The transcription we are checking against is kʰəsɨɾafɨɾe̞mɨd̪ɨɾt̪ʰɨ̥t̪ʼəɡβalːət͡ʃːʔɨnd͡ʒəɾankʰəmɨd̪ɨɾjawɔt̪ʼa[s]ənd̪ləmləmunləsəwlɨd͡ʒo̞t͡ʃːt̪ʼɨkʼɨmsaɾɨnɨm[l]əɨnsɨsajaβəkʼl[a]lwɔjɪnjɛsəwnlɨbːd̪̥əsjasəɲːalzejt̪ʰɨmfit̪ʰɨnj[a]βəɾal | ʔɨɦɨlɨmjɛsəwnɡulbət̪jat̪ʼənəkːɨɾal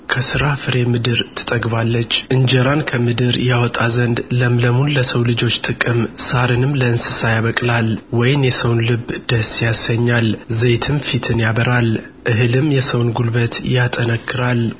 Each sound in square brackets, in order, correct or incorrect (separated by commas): incorrect, correct, correct, correct